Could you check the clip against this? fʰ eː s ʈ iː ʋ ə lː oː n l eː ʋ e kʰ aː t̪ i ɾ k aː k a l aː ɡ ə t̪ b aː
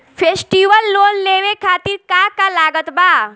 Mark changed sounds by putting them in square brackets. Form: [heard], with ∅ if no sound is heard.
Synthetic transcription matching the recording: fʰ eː s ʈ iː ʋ ə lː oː n l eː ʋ e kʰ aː t̪ i ɾ k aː k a l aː ɡ ə t̪ b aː